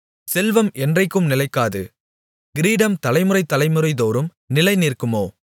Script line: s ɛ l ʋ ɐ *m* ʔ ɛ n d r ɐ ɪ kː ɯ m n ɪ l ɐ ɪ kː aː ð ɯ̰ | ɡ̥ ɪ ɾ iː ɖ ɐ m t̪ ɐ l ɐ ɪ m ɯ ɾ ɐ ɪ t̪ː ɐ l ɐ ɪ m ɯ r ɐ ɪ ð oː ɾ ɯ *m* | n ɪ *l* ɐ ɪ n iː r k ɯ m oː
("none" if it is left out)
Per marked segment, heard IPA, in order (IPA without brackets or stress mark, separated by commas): m, m, l